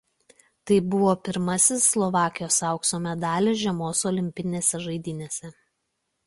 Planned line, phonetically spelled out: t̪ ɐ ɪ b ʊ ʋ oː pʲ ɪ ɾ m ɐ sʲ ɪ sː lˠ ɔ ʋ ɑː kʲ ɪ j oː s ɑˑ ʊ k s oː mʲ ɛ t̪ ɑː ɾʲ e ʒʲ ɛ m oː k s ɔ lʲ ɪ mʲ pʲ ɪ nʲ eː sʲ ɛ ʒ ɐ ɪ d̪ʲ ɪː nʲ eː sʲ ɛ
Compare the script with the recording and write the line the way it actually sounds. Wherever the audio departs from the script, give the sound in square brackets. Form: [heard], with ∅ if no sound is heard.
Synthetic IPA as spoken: t̪ ɐ ɪ b ʊ ʋ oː pʲ ɪ ɾ m ɐ sʲ ɪ sː lˠ ɔ ʋ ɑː kʲ ɪ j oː s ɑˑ ʊ k s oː mʲ ɛ [d̪] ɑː [lʲ] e ʒʲ ɛ m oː [∅] s ɔ lʲ ɪ mʲ pʲ ɪ nʲ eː sʲ ɛ ʒ ɐ ɪ d̪ʲ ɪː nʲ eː sʲ ɛ